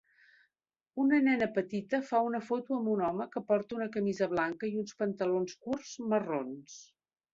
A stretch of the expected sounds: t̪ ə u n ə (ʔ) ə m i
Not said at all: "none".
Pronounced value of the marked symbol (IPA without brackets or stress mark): k